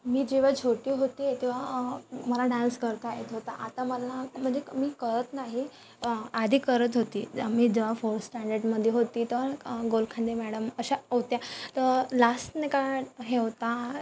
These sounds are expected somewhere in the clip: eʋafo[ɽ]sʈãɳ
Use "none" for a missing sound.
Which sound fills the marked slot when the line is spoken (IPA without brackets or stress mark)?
ɾ